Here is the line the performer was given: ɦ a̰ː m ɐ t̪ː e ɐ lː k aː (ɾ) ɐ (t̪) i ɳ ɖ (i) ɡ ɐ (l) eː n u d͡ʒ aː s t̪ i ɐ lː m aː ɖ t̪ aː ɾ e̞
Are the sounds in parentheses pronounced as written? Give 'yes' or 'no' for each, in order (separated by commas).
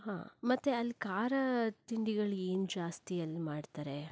yes, yes, yes, no